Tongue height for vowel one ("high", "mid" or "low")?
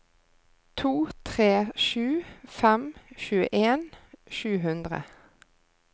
high